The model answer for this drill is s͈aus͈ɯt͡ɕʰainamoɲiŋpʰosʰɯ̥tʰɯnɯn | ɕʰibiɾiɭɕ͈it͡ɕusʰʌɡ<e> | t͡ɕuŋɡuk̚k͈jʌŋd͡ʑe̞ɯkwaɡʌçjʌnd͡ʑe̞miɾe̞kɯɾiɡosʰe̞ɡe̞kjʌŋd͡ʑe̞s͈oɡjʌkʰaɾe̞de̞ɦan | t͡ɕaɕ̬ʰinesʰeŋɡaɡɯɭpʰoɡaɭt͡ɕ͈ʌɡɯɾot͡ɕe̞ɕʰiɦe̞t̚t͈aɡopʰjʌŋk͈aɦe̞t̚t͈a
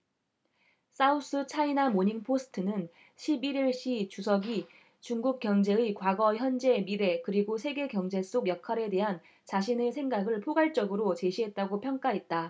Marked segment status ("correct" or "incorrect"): incorrect